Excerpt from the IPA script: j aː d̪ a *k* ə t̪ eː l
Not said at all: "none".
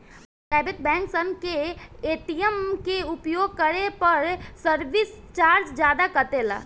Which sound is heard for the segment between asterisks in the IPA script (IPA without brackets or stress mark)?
k